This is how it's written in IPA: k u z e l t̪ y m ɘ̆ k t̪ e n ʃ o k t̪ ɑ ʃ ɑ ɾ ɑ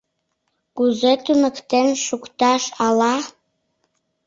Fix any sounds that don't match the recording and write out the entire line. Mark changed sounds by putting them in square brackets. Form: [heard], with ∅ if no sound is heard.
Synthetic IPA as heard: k u z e [∅] t̪ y m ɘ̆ k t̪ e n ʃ [u] k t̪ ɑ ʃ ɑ [l] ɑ